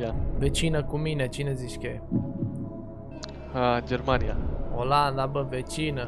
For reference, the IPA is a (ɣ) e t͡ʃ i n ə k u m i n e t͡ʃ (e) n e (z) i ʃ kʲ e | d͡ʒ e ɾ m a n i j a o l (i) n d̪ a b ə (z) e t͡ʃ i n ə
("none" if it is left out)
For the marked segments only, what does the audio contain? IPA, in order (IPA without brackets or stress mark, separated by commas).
v, i, z, a, v